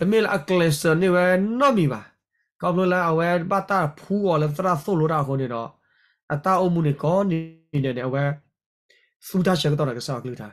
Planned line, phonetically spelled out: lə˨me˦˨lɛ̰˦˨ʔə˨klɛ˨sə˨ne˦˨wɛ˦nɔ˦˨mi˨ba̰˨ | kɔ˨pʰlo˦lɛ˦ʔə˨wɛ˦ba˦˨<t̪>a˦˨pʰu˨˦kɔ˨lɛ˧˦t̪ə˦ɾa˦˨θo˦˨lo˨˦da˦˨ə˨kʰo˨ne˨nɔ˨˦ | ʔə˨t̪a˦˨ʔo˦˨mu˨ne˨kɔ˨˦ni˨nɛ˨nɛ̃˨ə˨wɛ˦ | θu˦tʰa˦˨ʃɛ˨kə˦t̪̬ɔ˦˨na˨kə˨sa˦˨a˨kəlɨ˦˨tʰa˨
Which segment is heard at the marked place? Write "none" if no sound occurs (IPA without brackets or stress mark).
t̪